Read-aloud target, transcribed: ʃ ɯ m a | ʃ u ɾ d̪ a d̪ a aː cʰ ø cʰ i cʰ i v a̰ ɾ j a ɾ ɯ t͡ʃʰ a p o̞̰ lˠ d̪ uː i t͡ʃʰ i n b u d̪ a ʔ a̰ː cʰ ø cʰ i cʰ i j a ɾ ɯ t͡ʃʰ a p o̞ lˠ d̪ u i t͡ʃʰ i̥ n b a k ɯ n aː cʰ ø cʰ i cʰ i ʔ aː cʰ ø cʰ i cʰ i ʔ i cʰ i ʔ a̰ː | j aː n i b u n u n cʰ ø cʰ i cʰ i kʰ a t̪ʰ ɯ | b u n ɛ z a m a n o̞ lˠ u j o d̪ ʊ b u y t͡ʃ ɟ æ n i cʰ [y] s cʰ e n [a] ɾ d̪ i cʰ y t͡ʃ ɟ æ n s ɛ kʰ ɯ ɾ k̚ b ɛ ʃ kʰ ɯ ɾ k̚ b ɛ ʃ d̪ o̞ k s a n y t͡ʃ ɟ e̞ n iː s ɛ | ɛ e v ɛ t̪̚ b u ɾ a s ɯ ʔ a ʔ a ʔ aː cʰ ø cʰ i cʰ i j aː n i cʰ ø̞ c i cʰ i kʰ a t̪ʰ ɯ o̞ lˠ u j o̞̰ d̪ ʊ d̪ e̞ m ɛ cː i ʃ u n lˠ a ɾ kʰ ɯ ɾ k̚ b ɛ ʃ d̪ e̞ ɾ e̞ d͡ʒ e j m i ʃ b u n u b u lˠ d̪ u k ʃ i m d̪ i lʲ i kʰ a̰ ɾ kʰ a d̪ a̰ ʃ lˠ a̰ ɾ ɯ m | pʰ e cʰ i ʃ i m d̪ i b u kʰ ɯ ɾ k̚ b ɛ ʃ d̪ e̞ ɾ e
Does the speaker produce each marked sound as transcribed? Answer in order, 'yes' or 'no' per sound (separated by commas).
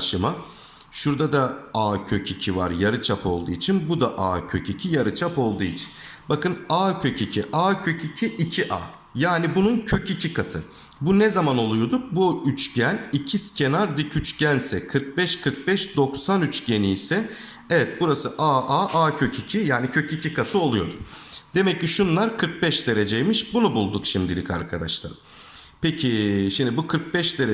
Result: no, yes